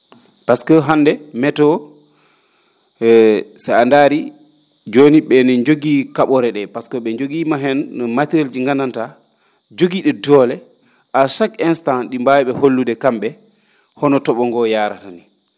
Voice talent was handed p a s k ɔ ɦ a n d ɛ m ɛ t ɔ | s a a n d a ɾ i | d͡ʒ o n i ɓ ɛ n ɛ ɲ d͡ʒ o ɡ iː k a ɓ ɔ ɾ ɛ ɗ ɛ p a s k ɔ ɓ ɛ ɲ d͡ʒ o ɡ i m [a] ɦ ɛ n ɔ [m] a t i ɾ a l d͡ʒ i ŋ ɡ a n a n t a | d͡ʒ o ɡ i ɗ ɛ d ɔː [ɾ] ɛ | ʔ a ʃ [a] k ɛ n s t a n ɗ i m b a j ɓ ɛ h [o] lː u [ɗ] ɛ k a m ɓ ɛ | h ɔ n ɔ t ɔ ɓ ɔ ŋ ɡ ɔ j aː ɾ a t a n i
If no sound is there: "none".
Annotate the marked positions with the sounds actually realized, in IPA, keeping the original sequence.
a, m, l, a, o, d

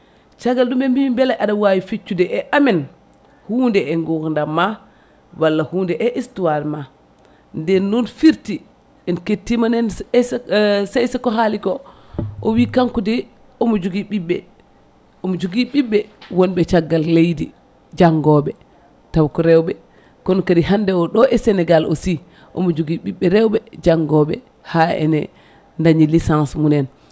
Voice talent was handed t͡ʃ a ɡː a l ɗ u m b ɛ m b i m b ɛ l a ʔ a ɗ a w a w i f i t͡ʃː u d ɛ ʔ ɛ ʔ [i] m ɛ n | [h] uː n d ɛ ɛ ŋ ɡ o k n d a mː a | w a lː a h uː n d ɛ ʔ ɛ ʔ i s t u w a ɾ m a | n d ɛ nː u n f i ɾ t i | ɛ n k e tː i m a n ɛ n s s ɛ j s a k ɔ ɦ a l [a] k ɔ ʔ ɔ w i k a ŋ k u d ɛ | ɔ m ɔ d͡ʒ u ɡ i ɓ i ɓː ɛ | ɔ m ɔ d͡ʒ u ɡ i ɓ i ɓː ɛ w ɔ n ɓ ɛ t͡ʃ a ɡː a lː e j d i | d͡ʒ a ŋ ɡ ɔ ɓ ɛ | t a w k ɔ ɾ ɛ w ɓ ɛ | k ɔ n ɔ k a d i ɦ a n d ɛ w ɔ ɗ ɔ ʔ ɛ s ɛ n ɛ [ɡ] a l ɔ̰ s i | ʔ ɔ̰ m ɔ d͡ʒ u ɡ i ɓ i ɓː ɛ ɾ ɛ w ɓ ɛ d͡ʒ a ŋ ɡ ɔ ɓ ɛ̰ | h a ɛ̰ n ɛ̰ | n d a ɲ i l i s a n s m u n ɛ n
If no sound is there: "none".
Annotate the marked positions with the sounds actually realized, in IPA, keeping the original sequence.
a, h, i, ɡ

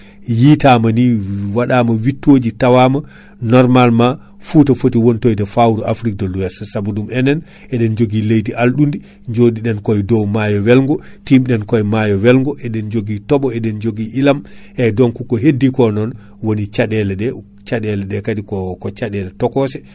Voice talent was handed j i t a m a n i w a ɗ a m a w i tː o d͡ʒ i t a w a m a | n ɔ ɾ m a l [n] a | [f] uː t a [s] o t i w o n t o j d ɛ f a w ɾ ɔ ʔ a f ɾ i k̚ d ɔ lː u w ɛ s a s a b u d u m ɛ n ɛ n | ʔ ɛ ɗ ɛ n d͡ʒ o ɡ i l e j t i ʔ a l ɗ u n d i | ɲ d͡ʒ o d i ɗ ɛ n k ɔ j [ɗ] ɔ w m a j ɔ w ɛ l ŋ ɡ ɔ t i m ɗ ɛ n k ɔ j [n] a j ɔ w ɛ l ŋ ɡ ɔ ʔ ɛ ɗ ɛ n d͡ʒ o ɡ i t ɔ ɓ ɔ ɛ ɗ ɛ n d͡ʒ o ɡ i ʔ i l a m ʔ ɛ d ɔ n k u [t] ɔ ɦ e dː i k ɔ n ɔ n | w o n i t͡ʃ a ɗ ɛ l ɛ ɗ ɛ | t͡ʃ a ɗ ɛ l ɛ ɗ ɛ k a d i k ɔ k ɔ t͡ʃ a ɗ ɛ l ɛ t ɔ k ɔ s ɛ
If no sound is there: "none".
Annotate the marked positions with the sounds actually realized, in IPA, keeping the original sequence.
m, f, f, d, m, k

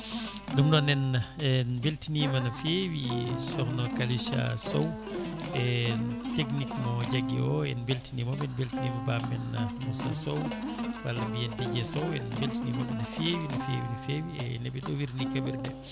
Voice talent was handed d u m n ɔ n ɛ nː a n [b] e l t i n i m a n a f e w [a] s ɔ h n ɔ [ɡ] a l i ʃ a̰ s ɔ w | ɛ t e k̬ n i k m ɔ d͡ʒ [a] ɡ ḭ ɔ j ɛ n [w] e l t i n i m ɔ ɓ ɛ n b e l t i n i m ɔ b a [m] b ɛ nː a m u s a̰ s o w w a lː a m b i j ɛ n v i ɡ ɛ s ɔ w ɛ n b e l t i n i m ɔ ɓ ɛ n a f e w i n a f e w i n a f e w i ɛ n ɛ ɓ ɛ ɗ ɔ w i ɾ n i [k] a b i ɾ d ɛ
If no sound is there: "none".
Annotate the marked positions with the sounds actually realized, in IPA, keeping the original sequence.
b, i, k, a, b, m, k

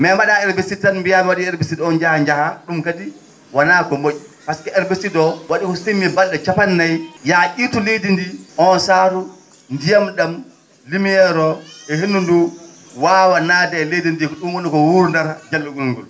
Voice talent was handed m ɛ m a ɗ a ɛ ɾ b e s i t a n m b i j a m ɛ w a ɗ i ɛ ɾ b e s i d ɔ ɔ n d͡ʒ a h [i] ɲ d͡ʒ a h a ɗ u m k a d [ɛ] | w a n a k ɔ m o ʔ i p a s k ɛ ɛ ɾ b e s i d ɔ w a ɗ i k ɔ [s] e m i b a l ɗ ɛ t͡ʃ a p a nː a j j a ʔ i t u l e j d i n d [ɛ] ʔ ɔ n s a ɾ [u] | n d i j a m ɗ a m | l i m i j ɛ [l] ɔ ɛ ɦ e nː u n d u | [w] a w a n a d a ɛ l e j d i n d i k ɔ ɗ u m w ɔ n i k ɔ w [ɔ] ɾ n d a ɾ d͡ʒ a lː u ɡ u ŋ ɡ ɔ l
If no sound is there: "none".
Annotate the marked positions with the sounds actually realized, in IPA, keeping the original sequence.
a, i, s, i, u, ɾ, w, u

